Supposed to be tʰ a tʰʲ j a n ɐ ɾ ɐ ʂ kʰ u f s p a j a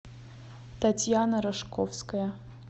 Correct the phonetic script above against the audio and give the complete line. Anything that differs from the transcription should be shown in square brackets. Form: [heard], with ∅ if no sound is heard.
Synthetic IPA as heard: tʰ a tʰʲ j a n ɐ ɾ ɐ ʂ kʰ [o] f s [k] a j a